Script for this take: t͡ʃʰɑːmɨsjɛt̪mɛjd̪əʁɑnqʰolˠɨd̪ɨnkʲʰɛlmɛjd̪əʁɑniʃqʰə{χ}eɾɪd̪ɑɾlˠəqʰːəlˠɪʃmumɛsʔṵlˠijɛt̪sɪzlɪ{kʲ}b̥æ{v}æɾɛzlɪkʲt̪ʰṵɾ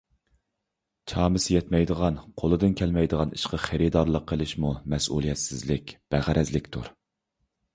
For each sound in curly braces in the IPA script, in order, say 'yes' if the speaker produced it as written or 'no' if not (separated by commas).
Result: yes, yes, no